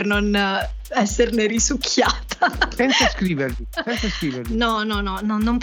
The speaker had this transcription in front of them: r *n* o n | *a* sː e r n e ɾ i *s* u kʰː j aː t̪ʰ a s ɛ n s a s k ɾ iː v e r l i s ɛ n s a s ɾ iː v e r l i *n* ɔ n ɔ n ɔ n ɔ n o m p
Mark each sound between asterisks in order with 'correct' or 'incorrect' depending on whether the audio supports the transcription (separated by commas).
correct, incorrect, correct, correct